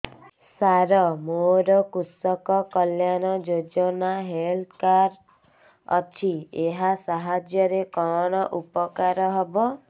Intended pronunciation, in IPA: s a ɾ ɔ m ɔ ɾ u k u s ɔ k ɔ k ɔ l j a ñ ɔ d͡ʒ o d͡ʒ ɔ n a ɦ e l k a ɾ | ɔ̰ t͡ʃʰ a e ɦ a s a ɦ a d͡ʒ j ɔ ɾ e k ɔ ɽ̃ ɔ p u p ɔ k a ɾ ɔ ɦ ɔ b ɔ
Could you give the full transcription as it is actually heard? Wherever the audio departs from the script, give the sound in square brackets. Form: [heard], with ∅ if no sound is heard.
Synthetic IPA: s a ɾ ɔ m [o] ɾ [ɔ] k u s ɔ k ɔ k ɔ l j a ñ ɔ d͡ʒ o d͡ʒ ɔ n a ɦ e l k a ɾ | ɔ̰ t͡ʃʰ [i] e ɦ a s a ɦ a d͡ʒ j ɔ ɾ e k ɔ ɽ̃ ɔ [ʔ] u p ɔ k a ɾ ɔ ɦ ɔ b ɔ